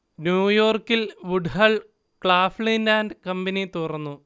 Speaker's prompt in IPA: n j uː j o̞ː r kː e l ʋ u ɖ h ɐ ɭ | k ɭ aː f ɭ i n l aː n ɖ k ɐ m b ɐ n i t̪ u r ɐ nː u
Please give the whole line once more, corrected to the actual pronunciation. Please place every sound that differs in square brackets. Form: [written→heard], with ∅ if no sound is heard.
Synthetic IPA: n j uː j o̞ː r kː [e→i] l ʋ u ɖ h ɐ ɭ | k ɭ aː f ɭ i n l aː n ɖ k ɐ m b ɐ n i t̪ u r ɐ nː u

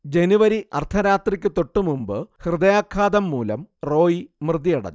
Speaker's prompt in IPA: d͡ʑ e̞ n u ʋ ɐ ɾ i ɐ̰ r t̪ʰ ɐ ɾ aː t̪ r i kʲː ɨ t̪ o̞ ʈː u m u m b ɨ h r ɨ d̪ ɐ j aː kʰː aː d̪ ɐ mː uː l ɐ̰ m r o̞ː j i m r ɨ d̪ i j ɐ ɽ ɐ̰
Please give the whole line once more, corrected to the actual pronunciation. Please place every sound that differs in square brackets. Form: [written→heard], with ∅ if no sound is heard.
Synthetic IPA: d͡ʑ e̞ n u ʋ ɐ ɾ i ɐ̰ r t̪ʰ ɐ ɾ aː t̪ r i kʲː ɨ t̪ o̞ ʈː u m u m b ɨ h r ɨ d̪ ɐ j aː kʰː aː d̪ ɐ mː uː l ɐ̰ m r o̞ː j i m r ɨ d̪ i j ɐ ɽ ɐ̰

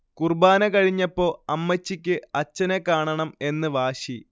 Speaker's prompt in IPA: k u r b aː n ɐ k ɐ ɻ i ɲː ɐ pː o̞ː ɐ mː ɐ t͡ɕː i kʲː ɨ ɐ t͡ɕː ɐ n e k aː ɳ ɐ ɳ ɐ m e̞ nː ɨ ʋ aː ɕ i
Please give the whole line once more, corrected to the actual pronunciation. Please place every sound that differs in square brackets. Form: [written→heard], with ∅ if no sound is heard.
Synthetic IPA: k u r b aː n ɐ k ɐ ɻ i ɲː ɐ pː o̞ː ɐ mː ɐ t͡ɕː i kʲː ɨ ɐ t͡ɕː ɐ n e k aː ɳ ɐ ɳ ɐ m e̞ nː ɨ ʋ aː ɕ i

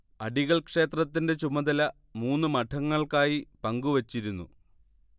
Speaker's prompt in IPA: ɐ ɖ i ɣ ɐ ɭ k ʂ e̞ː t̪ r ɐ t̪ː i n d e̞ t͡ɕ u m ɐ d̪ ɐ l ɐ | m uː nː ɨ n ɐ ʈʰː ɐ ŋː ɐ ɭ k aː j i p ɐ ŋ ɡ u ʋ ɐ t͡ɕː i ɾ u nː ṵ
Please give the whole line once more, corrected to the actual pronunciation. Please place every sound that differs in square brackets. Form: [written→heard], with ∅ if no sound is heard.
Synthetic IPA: ɐ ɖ i ɣ ɐ ɭ k ʂ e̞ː t̪ r ɐ t̪ː i n d e̞ t͡ɕ u m ɐ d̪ ɐ l ɐ | m uː nː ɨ [n→m] ɐ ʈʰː ɐ ŋː ɐ ɭ k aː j i p ɐ ŋ ɡ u ʋ ɐ t͡ɕː i ɾ u nː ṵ

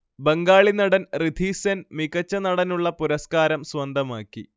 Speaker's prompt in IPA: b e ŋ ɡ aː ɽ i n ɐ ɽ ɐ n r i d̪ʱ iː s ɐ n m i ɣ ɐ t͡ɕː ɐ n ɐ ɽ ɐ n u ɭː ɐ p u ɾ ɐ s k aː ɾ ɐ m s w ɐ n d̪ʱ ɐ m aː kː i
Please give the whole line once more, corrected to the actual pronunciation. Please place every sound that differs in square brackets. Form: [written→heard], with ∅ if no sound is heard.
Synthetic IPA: b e ŋ ɡ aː [ɽ→ɭ] i n ɐ ɽ ɐ n r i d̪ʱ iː s ɐ n m i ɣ ɐ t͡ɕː ɐ n ɐ ɽ ɐ n u ɭː ɐ p u ɾ ɐ s k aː ɾ ɐ m s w ɐ n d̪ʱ ɐ m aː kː i

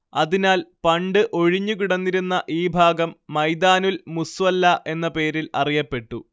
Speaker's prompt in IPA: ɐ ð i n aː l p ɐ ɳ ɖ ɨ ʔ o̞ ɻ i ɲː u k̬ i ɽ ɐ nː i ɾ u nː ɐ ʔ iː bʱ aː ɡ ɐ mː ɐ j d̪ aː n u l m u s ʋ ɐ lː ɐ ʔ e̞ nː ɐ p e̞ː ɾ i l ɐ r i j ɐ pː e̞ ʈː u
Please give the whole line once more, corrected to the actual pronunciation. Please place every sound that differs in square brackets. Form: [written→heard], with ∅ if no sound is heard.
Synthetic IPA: ɐ ð i n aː l p ɐ ɳ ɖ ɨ ʔ o̞ ɻ i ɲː u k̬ i ɽ ɐ nː i ɾ u nː ɐ ʔ iː bʱ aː ɡ ɐ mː ɐ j d̪ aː n u l m u s ʋ ɐ lː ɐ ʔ e̞ nː ɐ p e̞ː ɾ i l ɐ r i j ɐ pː e̞ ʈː u

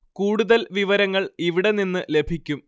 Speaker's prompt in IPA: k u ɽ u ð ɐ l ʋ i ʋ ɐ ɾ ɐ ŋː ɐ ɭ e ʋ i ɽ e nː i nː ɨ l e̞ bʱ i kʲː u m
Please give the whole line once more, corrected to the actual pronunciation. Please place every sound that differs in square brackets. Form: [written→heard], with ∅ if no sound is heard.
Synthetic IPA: k [u→uː] ɽ u ð ɐ l ʋ i ʋ ɐ ɾ ɐ ŋː ɐ ɭ [e→i] ʋ i ɽ e [nː→n] i nː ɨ l e̞ bʱ i kʲː u m

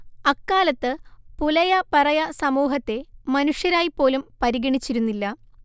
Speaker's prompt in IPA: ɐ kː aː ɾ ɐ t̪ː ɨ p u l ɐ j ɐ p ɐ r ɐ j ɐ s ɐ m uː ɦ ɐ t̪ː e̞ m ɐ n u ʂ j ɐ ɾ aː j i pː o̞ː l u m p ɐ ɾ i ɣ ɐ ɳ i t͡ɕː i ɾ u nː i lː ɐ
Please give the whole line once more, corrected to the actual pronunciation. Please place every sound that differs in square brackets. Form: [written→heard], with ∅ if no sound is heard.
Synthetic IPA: ɐ kː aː [ɾ→l] ɐ t̪ː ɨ p u l ɐ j ɐ p ɐ r ɐ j ɐ s ɐ m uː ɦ ɐ t̪ː e̞ m ɐ n u ʂ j ɐ ɾ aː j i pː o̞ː l u m p ɐ ɾ i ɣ ɐ ɳ i t͡ɕː i ɾ u nː i lː ɐ

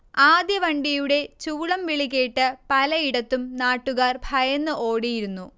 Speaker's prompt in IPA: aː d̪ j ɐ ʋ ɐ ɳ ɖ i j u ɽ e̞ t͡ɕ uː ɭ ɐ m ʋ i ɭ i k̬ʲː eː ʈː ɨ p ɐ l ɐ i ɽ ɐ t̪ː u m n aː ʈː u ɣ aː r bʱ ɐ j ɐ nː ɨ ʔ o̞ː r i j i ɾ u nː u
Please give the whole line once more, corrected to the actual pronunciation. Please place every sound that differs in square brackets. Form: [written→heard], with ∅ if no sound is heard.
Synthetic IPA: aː d̪ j ɐ ʋ ɐ ɳ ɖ i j u ɽ e̞ t͡ɕ uː ɭ ɐ m ʋ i ɭ i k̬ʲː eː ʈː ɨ p ɐ l ɐ i ɽ ɐ t̪ː u m n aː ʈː u ɣ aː r bʱ ɐ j ɐ nː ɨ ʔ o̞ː [r→ɽ] i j i ɾ u nː u

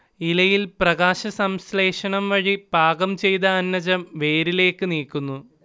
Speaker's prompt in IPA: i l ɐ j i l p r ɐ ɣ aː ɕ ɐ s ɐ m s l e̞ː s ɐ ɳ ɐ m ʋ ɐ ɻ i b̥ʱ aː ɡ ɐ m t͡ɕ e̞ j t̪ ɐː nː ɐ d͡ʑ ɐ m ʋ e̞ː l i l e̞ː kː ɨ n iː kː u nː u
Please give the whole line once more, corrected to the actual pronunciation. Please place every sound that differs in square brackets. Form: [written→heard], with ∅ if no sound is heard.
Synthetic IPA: i l ɐ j i l p r ɐ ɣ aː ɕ ɐ s ɐ m s l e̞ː [s→ʂ] ɐ ɳ ɐ m ʋ ɐ ɻ i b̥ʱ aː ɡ ɐ m t͡ɕ e̞ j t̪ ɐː nː ɐ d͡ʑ ɐ m ʋ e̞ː [l→ɾ] i l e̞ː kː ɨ n iː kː u nː u

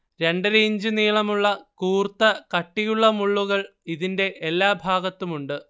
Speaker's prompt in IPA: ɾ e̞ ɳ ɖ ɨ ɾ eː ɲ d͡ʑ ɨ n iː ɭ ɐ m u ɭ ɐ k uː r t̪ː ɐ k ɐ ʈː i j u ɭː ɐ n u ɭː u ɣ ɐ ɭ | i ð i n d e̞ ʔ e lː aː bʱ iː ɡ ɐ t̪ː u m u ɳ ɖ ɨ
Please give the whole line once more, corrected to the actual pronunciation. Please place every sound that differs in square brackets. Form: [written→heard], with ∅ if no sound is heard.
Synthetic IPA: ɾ e̞ ɳ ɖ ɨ ɾ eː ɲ d͡ʑ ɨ n iː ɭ ɐ m u [ɭ→ɭː] ɐ k uː r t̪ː ɐ k ɐ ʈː i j u ɭː ɐ [n→m] u ɭː u ɣ ɐ ɭ | i ð i n d e̞ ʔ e lː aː bʱ [iː→aː] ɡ ɐ t̪ː u m u ɳ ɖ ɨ

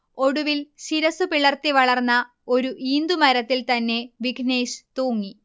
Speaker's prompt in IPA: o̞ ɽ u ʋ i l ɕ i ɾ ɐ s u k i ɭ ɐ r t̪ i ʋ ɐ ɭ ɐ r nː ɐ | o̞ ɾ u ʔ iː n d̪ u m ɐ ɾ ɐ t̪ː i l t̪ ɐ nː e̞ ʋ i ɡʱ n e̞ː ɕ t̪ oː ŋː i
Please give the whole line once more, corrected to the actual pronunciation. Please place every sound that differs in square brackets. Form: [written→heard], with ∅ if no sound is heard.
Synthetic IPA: o̞ ɽ u ʋ i l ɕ i ɾ ɐ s u [k→p] i ɭ ɐ r t̪ i ʋ ɐ ɭ ɐ r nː ɐ | o̞ ɾ u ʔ iː n d̪ u m ɐ ɾ ɐ t̪ː i l t̪ ɐ nː e̞ ʋ i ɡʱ n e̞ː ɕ t̪ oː ŋː i

